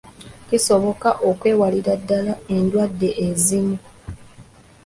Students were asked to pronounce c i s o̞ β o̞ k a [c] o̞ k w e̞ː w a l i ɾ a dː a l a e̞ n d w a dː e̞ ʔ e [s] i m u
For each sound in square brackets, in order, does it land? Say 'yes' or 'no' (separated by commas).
no, no